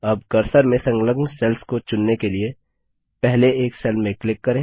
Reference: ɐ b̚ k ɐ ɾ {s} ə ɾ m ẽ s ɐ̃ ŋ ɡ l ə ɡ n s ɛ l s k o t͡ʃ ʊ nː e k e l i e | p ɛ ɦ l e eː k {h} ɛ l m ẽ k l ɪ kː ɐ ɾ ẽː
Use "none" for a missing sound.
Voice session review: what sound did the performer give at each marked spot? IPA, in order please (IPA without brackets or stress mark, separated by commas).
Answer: s, s